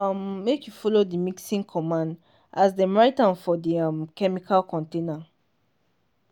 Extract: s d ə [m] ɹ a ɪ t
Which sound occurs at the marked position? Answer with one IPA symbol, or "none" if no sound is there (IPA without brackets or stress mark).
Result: m